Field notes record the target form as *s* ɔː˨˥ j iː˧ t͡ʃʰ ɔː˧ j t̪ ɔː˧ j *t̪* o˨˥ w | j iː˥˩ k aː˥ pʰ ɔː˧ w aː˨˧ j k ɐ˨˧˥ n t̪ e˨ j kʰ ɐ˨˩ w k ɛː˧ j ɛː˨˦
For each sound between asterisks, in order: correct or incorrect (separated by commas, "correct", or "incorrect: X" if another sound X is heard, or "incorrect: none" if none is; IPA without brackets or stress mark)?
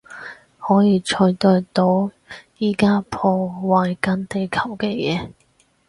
incorrect: h, correct